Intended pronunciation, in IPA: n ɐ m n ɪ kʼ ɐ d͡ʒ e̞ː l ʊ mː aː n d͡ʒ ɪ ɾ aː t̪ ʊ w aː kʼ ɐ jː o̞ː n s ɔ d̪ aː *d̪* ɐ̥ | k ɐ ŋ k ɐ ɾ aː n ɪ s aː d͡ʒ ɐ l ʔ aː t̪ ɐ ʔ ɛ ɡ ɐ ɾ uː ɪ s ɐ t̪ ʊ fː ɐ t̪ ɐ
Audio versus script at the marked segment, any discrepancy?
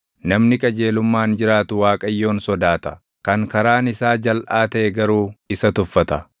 yes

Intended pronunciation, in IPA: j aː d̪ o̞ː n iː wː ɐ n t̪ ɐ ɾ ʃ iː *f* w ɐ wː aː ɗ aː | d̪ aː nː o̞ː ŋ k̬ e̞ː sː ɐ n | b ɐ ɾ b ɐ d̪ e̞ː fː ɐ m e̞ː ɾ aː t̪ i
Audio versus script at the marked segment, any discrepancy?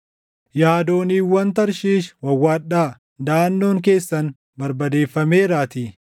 yes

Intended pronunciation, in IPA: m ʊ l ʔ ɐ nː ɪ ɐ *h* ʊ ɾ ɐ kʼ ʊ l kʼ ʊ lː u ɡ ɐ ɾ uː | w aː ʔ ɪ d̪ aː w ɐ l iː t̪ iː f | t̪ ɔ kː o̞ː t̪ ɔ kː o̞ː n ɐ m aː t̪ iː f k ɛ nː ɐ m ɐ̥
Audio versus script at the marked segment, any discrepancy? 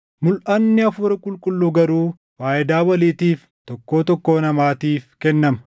yes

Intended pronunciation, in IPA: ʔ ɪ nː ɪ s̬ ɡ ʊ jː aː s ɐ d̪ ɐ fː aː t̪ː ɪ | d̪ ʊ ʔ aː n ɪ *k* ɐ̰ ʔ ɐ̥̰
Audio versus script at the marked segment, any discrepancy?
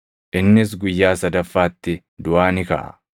no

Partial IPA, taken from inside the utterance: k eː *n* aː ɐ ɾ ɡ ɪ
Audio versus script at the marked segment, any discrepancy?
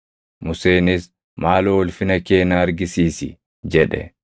no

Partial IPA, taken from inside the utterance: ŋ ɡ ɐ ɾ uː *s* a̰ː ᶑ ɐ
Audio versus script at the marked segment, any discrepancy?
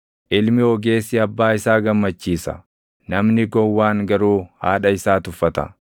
yes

